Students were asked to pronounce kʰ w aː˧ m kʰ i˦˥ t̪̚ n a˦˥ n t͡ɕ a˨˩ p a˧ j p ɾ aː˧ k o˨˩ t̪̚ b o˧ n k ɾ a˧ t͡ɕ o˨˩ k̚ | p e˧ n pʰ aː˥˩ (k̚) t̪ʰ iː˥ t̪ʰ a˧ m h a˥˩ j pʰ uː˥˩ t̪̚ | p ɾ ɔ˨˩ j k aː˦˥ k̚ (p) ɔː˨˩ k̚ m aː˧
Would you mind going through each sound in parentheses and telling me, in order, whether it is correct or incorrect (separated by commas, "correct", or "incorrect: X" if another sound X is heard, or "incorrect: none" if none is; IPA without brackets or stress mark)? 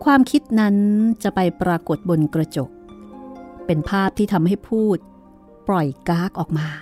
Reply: incorrect: p̚, incorrect: ʔ